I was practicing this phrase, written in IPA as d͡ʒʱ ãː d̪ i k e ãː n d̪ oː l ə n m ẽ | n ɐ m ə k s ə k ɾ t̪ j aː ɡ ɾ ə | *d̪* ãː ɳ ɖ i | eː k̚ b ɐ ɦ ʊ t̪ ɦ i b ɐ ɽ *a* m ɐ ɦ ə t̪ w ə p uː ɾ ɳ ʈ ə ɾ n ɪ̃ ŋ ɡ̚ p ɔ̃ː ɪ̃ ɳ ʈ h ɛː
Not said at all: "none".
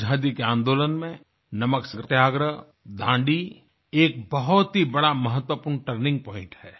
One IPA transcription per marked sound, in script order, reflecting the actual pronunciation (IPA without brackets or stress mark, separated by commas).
d̪, a